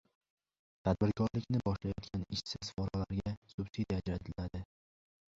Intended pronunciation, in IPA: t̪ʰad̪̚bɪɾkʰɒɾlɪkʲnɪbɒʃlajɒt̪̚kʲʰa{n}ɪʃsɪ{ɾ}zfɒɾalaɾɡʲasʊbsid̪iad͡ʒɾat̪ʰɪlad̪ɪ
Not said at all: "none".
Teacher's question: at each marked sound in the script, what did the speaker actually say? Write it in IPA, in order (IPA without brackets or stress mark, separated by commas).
n, none